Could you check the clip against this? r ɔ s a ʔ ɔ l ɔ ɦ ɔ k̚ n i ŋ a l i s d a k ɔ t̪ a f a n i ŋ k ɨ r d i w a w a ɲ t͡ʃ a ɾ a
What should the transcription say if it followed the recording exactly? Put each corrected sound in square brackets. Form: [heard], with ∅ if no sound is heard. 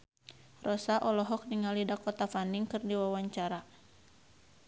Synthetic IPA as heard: r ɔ s a ʔ ɔ l ɔ ɦ ɔ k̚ n i ŋ a l i [∅] d a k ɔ t̪ a f a n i ŋ k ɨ r d i w a w a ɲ t͡ʃ a ɾ a